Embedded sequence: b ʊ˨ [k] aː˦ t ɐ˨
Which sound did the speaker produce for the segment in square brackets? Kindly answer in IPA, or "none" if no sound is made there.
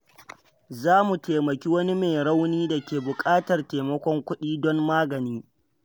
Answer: kʼ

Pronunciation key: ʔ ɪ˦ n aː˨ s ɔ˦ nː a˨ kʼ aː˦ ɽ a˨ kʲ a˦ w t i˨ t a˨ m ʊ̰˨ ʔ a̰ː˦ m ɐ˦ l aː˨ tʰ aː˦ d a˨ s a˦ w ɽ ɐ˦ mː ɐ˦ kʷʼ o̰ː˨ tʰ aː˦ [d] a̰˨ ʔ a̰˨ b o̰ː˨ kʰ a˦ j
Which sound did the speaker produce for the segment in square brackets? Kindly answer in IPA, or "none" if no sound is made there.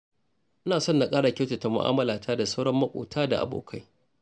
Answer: d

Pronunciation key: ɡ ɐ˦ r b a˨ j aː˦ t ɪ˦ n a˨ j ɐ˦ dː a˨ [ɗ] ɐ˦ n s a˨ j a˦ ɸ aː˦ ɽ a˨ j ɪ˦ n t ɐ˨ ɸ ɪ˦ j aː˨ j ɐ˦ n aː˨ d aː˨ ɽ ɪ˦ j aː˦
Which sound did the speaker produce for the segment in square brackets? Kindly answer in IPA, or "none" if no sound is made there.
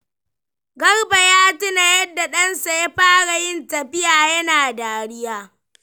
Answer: ɗ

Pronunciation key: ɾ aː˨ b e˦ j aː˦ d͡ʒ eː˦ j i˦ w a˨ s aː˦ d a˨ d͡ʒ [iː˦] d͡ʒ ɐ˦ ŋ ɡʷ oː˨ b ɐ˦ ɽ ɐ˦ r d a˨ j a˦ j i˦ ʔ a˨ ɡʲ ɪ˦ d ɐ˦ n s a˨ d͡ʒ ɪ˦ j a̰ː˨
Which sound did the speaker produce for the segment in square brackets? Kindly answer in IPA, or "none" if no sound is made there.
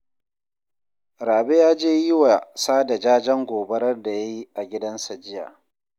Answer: aː˦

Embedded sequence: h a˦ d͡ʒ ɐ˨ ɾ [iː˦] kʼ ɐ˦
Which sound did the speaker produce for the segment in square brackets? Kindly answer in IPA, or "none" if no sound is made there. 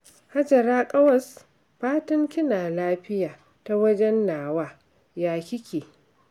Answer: aː˦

